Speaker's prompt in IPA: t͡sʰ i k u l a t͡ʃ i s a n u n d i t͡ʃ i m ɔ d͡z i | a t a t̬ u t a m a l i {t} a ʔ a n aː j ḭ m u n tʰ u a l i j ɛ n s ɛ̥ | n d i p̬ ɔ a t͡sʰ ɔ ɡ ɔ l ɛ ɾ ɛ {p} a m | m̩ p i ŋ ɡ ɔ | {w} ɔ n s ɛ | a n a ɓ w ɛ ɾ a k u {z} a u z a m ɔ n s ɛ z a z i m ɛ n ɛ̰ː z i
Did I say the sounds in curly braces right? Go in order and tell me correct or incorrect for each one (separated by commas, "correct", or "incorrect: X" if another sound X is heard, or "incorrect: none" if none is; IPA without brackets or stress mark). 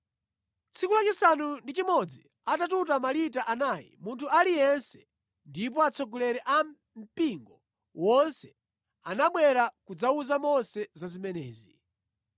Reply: correct, incorrect: ʔ, correct, incorrect: d͡z